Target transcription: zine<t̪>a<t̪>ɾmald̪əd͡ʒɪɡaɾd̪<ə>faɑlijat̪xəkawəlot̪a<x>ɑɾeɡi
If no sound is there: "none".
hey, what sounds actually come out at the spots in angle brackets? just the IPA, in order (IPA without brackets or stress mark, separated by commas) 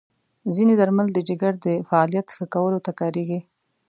d̪, none, ə, k